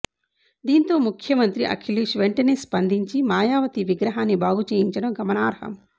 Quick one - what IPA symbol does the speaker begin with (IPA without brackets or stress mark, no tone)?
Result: d̪